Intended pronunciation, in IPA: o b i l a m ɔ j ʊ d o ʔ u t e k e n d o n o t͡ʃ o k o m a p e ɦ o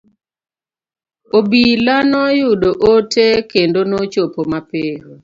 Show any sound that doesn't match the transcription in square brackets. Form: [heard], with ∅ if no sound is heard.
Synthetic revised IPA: o b i l a [n] ɔ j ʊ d o ʔ [o] t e k e n d o n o t͡ʃ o [p] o m a p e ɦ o